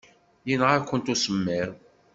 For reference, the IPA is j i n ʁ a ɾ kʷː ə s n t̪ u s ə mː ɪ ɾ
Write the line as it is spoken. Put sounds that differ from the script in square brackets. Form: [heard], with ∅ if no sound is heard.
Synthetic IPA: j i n ʁ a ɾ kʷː ə [∅] n t̪ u s ə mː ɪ ɾ